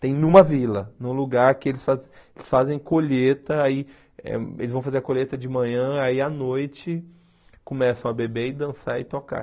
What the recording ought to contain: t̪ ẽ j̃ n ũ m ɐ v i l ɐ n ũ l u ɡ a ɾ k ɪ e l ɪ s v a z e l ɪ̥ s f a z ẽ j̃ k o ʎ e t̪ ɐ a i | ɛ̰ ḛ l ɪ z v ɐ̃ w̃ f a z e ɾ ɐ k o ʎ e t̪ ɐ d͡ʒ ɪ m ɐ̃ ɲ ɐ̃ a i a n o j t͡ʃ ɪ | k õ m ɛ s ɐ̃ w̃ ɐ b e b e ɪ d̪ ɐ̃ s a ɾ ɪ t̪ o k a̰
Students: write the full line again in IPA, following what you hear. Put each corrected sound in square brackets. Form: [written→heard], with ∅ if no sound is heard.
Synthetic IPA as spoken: t̪ ẽ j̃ n ũ m ɐ v i l ɐ n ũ l u ɡ a ɾ k ɪ e l ɪ s [v→f] a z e l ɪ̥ s f a z ẽ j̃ k o ʎ e t̪ ɐ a i | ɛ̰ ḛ l ɪ z v ɐ̃ w̃ f a z e ɾ ɐ k o ʎ e t̪ ɐ d͡ʒ ɪ m ɐ̃ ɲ ɐ̃ a i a n o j t͡ʃ ɪ | k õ m ɛ s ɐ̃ w̃ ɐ b e b e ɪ d̪ ɐ̃ s a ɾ ɪ t̪ o k a̰